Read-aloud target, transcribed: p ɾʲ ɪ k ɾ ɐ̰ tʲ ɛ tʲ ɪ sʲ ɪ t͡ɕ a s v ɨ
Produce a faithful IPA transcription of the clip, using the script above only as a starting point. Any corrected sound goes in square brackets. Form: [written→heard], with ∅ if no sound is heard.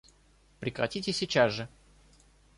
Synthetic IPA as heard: p ɾʲ ɪ k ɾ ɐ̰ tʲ [ɛ→i] tʲ ɪ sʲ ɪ t͡ɕ a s [v→ʐ] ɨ